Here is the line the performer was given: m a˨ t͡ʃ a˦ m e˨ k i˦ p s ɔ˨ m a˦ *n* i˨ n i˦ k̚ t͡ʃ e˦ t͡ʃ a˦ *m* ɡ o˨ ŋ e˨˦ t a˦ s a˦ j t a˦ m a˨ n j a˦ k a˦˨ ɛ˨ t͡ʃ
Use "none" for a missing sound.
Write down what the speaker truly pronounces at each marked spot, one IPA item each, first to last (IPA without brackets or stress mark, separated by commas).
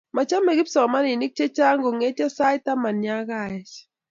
n, ŋ